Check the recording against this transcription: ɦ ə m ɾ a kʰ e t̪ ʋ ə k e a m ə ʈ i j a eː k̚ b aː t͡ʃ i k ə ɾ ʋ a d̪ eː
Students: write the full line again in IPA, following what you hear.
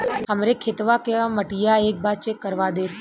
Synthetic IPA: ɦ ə m ɾ e kʰ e t̪ ʋ a k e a m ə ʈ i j a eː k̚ b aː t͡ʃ e k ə ɾ ʋ a d̪ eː

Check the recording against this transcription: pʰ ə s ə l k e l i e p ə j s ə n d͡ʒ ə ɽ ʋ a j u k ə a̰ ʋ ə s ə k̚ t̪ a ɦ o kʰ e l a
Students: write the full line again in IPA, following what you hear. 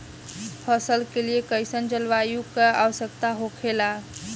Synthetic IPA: pʰ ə s ə l k e l i e k ə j s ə n d͡ʒ ə l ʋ a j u k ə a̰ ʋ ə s ə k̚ t̪ a ɦ o kʰ e l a

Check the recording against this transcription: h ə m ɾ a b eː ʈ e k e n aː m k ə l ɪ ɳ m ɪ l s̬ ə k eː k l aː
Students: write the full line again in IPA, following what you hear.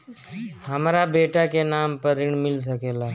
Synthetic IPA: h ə m ɾ a b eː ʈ a k e n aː m p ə ɾ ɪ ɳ m ɪ l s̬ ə k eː l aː

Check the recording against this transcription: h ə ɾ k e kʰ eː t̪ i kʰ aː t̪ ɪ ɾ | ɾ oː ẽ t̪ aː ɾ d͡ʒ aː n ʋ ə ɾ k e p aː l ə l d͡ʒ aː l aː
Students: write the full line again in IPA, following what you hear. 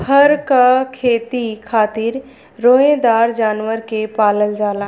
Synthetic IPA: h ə ɾ k a kʰ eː t̪ i kʰ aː t̪ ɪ ɾ | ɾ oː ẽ d̪ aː ɾ d͡ʒ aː n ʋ ə ɾ k e p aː l ə l d͡ʒ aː l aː

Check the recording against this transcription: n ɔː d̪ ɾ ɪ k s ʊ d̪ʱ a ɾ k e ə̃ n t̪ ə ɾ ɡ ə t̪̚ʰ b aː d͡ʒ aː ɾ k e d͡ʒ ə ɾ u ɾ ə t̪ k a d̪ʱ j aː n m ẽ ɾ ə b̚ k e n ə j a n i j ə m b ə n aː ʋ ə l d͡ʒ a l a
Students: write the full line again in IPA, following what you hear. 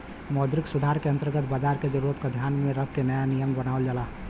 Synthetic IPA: m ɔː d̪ ɾ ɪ k s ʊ d̪ʱ a ɾ k e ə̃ n t̪ ə ɾ ɡ ə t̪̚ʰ b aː d͡ʒ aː ɾ k e d͡ʒ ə ɾ u ɾ ə t̪ k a d̪ʱ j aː n m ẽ ɾ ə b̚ k e n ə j a n i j ə m b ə n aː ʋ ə l d͡ʒ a l a

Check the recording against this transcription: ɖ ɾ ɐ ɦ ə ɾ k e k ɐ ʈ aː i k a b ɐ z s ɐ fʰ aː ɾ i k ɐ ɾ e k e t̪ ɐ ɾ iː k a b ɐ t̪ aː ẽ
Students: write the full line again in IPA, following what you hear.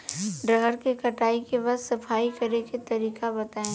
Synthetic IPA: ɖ ɾ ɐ ɦ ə ɾ k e k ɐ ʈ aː i k e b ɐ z s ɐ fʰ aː i k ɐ ɾ e k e t̪ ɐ ɾ iː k a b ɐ t̪ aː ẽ

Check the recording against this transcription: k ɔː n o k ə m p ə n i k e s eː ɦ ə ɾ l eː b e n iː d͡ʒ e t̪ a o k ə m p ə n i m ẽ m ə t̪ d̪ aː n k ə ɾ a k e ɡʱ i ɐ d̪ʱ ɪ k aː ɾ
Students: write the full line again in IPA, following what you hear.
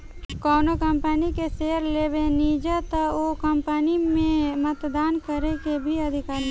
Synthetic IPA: k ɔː n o k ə m p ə n i k e s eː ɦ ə ɾ l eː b e n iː d͡ʒ a t̪ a o k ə m p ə n i m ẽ m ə t̪ d̪ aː n k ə ɾ e k e bʱ i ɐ d̪ʱ ɪ k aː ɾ

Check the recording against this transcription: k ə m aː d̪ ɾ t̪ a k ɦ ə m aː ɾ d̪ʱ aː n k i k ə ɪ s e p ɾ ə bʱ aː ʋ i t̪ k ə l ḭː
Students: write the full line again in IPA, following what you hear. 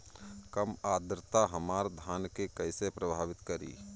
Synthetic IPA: k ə m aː d̪ ɾ t̪ a ɦ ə m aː ɾ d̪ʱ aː n k e k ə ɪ s e p ɾ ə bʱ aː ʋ ɪ t̪ k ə ɾ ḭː

